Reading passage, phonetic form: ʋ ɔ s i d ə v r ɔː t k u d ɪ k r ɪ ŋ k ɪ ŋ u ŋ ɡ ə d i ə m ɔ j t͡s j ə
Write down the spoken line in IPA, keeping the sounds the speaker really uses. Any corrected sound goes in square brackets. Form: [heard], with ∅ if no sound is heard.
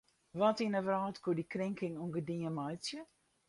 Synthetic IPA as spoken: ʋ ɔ [t] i [n] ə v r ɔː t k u d [i] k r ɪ ŋ k ɪ ŋ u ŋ ɡ ə d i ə m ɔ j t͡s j ə